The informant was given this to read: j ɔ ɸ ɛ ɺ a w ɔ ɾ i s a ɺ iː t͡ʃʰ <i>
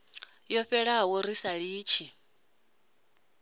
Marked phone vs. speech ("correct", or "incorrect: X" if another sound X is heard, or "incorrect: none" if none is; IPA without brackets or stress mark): correct